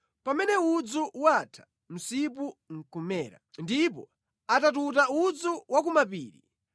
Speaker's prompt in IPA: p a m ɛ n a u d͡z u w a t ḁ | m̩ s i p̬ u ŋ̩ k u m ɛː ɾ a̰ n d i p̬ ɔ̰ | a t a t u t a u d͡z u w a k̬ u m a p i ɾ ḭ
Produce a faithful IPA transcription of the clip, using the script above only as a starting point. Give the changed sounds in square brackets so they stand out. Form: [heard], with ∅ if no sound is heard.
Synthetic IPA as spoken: p a m ɛ n [ɛ] u d͡z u w a [tʰ] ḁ | m̩ s i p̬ u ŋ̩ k u m ɛː ɾ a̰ n d i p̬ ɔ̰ | a t a t u t a u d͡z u w a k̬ u m a p [iː] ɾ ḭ